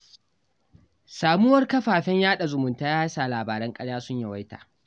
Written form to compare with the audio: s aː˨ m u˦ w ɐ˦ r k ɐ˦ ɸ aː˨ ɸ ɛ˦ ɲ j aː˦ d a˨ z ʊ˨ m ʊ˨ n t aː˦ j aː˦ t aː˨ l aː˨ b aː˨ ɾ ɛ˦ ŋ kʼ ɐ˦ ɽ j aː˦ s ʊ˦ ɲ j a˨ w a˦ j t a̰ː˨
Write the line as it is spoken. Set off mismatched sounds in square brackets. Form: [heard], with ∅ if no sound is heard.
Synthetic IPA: s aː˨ m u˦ w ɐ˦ r k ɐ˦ ɸ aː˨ ɸ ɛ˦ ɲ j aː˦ [ɗ] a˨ z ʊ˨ m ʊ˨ n t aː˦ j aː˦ [s] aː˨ l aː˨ b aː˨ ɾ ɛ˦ ŋ kʼ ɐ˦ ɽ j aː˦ s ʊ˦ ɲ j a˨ w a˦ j t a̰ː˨